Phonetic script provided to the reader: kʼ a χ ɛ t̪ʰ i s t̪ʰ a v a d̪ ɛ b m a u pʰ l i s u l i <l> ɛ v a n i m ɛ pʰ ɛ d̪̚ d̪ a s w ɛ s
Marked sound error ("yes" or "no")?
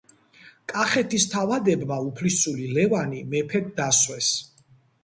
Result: no